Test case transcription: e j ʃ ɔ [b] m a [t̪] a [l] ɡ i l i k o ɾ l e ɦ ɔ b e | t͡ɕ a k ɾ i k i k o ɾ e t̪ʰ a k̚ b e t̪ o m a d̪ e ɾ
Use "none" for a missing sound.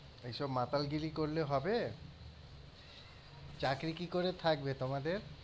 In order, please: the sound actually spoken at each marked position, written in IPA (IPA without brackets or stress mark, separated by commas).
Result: b, t̪, l